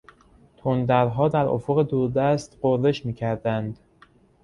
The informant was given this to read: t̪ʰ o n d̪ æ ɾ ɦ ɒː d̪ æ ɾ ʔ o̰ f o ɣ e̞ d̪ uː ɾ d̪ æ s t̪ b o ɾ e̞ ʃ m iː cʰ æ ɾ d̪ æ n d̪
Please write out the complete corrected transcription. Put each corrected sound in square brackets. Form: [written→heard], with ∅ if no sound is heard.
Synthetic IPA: t̪ʰ o n d̪ æ ɾ ɦ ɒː d̪ æ ɾ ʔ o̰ f o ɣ e̞ d̪ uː ɾ d̪ æ s t̪ [b→ɢ] o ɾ e̞ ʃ m iː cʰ æ ɾ d̪ æ n d̪

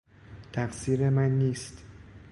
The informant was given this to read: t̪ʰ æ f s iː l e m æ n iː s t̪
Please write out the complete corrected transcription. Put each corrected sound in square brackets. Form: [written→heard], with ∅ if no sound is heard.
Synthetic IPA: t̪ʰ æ f s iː [l→ɾ] e m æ [n→nː] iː s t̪

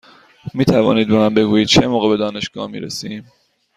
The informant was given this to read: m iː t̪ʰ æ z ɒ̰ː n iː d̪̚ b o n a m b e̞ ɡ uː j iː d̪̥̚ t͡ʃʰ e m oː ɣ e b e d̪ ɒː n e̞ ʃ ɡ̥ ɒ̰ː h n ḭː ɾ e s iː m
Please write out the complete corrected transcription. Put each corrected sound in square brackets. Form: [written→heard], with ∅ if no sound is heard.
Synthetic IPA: m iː t̪ʰ æ [z→v] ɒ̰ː n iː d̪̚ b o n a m b e̞ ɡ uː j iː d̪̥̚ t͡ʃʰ e m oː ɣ e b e d̪ ɒː n e̞ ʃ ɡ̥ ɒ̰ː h [n→m] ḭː ɾ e s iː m

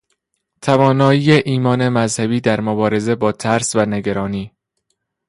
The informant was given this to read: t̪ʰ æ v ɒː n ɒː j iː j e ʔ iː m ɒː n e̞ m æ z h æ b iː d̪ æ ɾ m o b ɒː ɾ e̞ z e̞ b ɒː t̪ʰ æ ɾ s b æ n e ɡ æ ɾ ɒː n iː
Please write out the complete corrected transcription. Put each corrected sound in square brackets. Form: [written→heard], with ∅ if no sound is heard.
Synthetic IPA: t̪ʰ æ v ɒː n ɒː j iː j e ʔ iː m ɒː n e̞ m æ z h æ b iː d̪ æ ɾ m o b ɒː ɾ e̞ z e̞ b ɒː t̪ʰ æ ɾ s [b→v] æ n e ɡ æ ɾ ɒː n iː

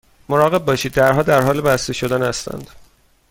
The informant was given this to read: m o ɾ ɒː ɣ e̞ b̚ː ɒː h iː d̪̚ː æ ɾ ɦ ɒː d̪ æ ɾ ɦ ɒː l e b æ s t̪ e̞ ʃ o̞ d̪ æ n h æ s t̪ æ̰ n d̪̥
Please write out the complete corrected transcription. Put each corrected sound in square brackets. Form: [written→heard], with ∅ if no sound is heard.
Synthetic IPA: m o ɾ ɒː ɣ e̞ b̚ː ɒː [h→ʃ] iː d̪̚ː æ ɾ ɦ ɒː d̪ æ ɾ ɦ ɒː l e b æ s t̪ e̞ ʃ o̞ d̪ æ n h æ s t̪ æ̰ n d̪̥

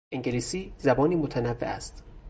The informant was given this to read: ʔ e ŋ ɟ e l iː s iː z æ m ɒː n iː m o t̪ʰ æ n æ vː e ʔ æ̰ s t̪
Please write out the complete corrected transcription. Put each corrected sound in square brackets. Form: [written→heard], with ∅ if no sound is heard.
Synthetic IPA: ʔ e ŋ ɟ e l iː s iː z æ [m→b] ɒː n iː m o t̪ʰ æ n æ vː e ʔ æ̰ s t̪

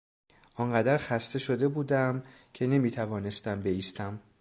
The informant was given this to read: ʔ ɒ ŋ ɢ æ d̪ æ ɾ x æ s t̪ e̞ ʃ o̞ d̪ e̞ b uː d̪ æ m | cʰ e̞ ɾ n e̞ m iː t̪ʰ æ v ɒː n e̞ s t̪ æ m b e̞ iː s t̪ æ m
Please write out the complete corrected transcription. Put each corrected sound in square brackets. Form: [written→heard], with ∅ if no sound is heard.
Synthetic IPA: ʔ ɒ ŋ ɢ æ d̪ æ ɾ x æ s t̪ e̞ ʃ o̞ d̪ e̞ b uː d̪ æ m | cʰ e̞ [ɾ→∅] n e̞ m iː t̪ʰ æ v ɒː n e̞ s t̪ æ m b e̞ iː s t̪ æ m

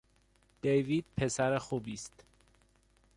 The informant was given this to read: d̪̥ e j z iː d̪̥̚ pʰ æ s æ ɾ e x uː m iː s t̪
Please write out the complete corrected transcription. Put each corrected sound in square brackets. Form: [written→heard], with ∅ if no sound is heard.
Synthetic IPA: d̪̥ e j [z→v] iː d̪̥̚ pʰ [æ→e] s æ ɾ e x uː [m→b] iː s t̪

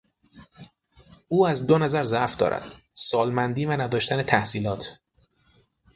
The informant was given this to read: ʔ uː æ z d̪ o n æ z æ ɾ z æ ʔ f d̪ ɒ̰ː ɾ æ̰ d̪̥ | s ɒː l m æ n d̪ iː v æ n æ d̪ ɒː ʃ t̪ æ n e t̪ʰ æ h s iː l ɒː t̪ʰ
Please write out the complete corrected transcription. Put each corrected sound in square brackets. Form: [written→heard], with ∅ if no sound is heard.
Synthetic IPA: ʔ uː æ z d̪ o n æ z æ ɾ z æ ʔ f d̪ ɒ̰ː ɾ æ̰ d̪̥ | s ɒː l m æ n d̪ iː v æ n æ d̪ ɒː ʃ t̪ æ n e t̪ʰ æ h s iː l ɒː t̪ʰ

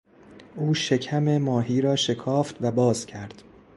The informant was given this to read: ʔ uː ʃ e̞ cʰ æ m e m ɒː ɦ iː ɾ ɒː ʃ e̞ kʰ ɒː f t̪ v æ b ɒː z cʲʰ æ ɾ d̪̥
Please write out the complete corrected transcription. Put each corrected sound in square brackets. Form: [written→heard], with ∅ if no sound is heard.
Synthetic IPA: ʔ uː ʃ e̞ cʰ æ m e m ɒː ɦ iː ɾ ɒː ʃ e̞ kʰ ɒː f t̪ v æ b ɒː z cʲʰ æ ɾ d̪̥

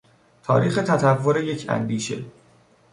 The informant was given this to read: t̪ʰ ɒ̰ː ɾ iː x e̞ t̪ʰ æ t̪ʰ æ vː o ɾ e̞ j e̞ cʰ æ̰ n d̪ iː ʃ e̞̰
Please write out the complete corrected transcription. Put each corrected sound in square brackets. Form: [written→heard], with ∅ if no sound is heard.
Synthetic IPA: t̪ʰ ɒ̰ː ɾ iː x e̞ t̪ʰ æ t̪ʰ æ vː o ɾ e̞ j e̞ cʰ æ̰ n d̪ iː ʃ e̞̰

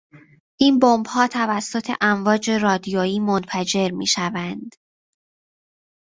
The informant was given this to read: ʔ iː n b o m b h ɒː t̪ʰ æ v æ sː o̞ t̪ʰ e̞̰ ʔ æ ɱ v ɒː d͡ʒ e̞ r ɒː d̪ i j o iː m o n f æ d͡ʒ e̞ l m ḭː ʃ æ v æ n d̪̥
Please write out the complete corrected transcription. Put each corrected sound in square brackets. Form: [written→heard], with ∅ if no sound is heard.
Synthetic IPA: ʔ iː n b o m b h ɒː t̪ʰ æ v æ sː o̞ t̪ʰ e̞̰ ʔ æ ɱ v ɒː d͡ʒ e̞ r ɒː d̪ i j o iː m o n f æ d͡ʒ e̞ [l→ɾ] m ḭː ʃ æ v æ n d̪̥

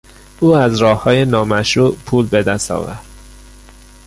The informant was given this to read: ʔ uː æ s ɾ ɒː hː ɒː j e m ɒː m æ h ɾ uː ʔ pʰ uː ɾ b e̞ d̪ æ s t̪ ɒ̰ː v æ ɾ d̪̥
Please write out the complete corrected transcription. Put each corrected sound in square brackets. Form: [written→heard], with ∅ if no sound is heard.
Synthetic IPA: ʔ uː æ [s→z] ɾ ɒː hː ɒː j e [m→n] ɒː m æ [h→ʃ] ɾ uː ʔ pʰ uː [ɾ→l] b e̞ d̪ æ s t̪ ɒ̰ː v æ ɾ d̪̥

